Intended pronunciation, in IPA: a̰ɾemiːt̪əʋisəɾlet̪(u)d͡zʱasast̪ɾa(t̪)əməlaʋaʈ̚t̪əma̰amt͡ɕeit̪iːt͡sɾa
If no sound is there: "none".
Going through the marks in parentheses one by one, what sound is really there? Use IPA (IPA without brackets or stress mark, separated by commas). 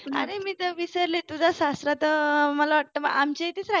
u, t̪